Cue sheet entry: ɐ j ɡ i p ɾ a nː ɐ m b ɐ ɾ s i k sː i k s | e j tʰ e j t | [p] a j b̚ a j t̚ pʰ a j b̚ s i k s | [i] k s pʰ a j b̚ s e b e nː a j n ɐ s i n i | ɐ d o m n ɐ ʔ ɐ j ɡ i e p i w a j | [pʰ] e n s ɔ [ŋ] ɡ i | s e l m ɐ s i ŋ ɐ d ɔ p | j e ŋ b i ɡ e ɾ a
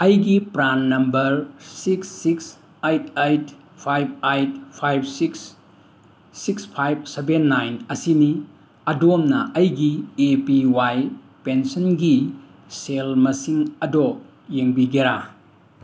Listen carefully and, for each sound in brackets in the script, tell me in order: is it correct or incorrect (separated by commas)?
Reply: incorrect, correct, incorrect, incorrect